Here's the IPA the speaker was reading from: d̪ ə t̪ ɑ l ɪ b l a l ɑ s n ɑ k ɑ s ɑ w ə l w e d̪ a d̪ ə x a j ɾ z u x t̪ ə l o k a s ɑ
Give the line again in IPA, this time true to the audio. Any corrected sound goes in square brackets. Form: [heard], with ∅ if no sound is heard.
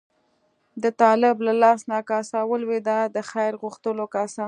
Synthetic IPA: d̪ ə t̪ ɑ l ɪ b l a l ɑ s n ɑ k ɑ s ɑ w ə l w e d̪ a d̪ ə x a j ɾ [ɣ] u x t̪ ə l o k a s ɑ